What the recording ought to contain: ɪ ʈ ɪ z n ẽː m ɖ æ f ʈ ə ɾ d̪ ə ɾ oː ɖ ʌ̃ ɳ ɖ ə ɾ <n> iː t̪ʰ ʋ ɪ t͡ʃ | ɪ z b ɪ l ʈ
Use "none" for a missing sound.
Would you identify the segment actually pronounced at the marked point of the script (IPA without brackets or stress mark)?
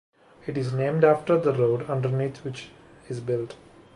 n